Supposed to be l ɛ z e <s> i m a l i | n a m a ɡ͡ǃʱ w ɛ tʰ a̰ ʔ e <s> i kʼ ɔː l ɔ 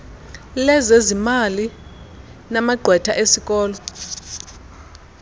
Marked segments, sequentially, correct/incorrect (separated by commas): incorrect, correct